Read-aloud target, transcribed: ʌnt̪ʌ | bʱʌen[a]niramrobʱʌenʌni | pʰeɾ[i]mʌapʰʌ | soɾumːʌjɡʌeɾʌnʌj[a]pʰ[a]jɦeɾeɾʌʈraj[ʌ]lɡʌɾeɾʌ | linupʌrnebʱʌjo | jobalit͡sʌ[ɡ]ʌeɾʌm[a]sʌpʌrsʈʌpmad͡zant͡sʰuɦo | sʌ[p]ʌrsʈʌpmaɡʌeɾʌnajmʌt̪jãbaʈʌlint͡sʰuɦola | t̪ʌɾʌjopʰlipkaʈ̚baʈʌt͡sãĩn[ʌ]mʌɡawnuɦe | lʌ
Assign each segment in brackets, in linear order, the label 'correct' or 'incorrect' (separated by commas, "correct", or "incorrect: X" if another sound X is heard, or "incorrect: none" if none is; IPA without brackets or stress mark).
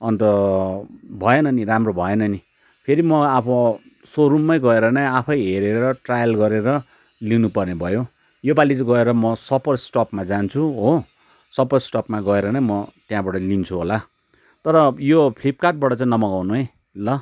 incorrect: ʌ, correct, correct, incorrect: ʌ, correct, correct, incorrect: ʌ, correct, correct